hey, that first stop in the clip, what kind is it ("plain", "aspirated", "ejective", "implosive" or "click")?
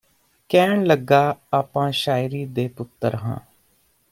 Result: plain